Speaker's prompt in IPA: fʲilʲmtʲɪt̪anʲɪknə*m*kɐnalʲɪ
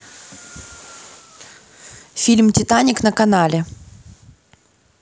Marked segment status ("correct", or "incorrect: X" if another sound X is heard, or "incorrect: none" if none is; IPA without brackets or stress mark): incorrect: none